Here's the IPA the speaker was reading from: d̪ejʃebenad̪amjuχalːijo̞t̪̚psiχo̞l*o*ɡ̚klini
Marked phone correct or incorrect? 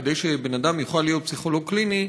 correct